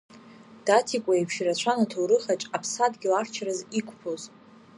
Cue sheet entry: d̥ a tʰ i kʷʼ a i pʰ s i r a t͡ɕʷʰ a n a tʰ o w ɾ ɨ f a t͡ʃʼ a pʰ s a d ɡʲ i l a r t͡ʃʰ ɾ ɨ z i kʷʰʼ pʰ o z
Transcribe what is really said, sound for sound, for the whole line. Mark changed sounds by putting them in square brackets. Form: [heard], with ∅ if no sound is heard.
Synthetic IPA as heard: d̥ a tʰ i kʷʼ a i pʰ [ʃ] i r a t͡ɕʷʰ a n a tʰ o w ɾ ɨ [χ] a t͡ʃʼ a pʰ s a d ɡʲ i l a r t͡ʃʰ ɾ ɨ z i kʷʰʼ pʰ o z

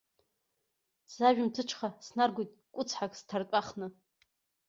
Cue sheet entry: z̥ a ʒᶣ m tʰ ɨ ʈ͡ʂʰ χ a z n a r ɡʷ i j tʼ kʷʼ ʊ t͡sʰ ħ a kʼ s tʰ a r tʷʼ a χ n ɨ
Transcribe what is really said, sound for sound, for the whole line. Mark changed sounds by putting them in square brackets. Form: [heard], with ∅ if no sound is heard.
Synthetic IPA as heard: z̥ a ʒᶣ m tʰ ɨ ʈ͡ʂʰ χ a [s] n a r ɡʷ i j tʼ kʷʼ ʊ t͡sʰ ħ a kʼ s tʰ a r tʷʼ a χ n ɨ

